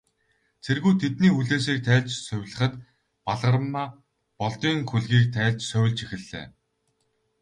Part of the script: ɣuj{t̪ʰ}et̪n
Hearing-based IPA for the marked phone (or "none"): t̪ʰ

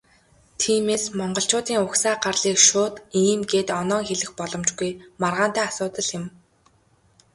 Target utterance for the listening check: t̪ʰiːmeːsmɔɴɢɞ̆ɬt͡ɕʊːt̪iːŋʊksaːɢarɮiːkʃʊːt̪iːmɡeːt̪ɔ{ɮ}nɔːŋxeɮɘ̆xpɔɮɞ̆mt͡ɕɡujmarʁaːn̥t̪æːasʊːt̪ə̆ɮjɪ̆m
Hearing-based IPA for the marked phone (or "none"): none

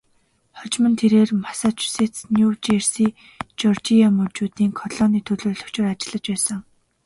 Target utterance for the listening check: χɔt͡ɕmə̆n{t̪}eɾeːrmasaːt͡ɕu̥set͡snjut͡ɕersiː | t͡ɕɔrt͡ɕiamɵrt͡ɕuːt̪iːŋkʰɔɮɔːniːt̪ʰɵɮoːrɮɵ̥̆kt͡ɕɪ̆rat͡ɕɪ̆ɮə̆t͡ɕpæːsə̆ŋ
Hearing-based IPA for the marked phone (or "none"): t̪ʰ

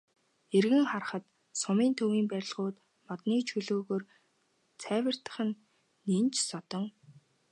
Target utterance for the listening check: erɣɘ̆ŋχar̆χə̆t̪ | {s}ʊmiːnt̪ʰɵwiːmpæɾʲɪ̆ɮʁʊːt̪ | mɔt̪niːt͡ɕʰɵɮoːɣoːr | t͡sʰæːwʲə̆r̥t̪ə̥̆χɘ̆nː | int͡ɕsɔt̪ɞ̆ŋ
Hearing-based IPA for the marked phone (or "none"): s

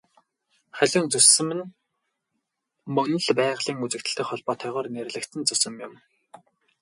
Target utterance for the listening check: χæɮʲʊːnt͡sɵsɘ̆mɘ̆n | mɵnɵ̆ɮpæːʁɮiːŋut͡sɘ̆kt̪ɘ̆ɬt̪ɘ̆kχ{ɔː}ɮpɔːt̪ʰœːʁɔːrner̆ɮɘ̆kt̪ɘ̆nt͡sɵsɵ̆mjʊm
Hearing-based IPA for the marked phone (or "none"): ɔ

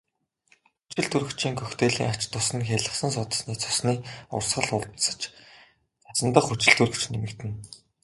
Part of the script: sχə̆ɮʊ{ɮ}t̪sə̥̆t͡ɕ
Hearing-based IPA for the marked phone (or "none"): ɮ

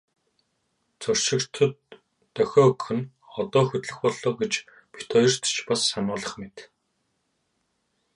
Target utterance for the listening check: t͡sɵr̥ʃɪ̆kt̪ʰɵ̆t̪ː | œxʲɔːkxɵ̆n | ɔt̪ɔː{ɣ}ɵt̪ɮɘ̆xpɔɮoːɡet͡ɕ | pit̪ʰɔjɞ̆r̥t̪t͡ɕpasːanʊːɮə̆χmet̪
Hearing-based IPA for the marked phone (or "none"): x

